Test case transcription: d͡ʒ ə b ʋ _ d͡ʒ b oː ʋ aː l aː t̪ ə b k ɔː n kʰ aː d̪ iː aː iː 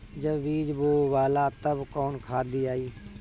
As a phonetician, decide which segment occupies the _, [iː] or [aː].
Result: iː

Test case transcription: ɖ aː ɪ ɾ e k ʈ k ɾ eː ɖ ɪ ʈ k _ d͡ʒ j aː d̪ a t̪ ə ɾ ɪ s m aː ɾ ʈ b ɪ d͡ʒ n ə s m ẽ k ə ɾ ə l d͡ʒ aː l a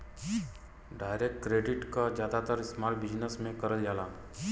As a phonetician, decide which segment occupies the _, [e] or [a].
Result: a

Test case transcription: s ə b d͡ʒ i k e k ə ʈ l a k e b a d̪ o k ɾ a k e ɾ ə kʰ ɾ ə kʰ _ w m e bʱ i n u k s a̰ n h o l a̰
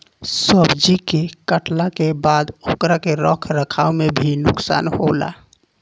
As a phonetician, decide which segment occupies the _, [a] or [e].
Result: a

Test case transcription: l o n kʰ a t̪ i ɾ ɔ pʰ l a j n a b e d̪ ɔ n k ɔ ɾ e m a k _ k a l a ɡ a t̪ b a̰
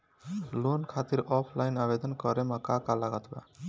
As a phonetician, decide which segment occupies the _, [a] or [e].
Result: a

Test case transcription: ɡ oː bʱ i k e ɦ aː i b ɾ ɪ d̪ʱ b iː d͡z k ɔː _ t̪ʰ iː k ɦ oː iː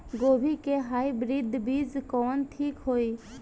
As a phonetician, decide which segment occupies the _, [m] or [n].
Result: n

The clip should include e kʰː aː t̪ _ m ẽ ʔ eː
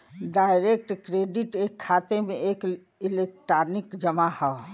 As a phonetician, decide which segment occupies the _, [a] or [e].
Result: e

